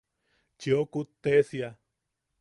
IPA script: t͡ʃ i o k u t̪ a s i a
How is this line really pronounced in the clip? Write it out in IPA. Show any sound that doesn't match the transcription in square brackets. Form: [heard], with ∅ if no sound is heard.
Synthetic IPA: t͡ʃ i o k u t̪ [e] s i a